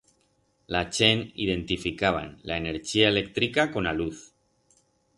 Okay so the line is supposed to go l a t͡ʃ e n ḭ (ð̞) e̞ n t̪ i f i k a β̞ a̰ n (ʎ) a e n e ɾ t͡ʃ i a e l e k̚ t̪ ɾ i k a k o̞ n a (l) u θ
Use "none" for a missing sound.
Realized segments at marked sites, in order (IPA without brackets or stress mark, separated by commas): ð̞, l, l